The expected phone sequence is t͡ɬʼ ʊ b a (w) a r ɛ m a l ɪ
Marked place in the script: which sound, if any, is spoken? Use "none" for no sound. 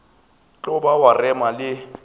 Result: w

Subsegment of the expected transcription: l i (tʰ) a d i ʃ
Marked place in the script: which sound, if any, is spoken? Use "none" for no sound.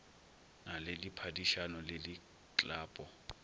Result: pʰ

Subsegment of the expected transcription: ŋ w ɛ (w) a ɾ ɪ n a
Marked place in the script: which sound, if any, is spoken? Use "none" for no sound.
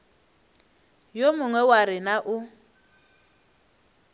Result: w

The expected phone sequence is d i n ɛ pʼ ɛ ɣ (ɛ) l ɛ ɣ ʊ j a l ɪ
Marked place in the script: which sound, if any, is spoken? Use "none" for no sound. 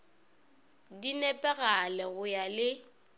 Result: a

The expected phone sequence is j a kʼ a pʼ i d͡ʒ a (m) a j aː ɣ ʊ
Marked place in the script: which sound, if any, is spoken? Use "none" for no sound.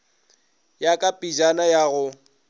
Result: n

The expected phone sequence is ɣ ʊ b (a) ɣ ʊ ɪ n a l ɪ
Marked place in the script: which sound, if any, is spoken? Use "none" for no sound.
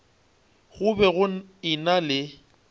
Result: ɛ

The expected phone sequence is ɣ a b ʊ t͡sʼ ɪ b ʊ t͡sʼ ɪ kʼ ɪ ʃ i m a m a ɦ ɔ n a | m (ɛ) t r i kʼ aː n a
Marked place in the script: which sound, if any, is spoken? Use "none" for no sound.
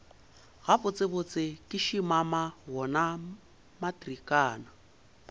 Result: a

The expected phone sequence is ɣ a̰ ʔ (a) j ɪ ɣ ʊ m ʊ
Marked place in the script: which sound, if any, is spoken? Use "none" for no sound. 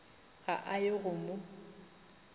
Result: a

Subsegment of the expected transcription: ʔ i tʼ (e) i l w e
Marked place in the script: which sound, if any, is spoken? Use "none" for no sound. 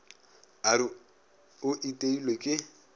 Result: e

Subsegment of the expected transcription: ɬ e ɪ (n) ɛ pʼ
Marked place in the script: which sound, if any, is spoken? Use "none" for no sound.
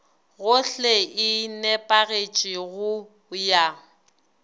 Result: n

